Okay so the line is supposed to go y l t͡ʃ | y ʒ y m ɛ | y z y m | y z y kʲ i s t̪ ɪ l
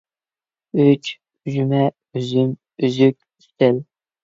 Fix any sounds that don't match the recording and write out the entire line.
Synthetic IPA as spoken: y t͡ʃ | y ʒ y m ɛ | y z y m | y z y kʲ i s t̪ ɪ l